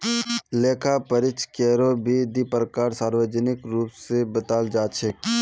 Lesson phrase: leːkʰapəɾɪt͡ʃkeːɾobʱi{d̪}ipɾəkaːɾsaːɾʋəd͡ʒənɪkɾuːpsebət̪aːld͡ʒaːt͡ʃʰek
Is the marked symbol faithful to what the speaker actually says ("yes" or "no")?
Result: yes